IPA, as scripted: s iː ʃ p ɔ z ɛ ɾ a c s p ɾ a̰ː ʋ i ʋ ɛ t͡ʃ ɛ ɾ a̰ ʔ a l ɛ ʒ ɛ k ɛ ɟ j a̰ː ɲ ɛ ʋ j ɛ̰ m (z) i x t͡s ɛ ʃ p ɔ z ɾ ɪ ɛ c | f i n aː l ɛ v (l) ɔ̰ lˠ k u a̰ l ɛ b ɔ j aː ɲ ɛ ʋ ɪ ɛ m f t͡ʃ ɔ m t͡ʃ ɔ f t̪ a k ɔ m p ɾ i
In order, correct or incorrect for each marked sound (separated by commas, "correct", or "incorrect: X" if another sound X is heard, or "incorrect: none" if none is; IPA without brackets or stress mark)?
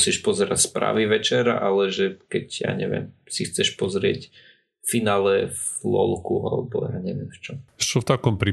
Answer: incorrect: s, correct